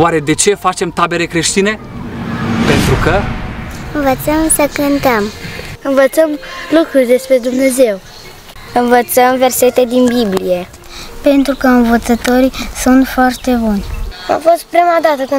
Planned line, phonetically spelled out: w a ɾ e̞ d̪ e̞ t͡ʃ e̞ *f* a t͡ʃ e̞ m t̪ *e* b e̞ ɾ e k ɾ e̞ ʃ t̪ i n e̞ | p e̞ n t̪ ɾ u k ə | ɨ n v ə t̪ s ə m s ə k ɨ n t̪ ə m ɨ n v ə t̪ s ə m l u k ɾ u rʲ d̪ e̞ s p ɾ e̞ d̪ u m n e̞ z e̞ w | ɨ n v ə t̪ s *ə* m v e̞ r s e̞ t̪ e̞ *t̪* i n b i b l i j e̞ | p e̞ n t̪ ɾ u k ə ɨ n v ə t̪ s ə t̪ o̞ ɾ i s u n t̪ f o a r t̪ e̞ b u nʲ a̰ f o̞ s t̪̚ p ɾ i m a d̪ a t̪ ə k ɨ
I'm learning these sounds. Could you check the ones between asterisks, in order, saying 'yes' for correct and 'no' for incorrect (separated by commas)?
yes, no, yes, no